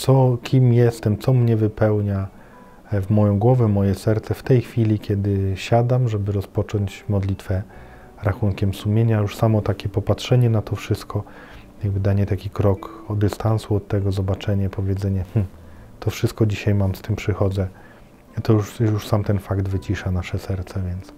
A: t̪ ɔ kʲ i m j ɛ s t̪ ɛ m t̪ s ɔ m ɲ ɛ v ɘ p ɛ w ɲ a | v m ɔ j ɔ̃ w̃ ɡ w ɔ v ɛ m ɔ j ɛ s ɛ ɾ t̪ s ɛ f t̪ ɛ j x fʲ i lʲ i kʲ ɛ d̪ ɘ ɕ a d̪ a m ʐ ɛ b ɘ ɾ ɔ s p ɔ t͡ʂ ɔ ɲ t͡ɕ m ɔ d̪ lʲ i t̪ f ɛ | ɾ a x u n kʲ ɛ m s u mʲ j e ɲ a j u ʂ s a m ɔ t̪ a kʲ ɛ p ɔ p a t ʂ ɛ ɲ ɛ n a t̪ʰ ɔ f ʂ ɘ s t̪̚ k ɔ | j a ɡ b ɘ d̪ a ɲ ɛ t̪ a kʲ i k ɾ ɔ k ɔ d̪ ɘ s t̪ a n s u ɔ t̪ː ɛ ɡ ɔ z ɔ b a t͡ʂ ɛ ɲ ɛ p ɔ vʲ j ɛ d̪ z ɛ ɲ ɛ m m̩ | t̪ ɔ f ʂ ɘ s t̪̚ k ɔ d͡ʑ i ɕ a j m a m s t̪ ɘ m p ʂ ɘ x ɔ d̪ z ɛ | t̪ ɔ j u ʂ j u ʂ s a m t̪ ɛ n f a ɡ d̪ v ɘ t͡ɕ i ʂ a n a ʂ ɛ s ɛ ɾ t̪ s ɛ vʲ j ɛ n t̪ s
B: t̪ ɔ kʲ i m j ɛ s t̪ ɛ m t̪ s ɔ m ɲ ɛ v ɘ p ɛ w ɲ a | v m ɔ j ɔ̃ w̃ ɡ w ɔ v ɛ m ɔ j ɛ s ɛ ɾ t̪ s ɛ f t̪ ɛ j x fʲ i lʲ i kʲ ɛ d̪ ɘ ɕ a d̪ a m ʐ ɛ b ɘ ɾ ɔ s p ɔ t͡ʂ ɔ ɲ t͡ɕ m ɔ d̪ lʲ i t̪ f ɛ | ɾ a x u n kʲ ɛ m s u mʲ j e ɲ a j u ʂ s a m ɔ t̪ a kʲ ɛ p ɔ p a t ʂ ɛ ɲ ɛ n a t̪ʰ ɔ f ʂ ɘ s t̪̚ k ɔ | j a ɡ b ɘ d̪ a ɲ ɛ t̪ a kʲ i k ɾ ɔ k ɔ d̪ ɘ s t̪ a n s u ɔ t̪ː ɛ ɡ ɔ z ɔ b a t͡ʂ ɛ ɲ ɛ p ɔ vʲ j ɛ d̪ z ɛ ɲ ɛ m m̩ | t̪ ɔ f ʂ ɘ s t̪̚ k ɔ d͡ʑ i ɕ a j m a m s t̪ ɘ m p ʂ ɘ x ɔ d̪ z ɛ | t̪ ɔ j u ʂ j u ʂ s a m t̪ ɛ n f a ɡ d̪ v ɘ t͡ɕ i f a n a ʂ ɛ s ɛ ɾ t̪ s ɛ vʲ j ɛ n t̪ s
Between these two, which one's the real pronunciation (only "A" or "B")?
A